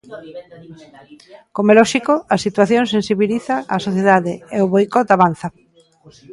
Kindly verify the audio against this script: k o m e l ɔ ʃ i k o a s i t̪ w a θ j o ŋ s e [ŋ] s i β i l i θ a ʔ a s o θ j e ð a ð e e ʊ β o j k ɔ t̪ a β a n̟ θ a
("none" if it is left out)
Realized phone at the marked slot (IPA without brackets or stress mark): n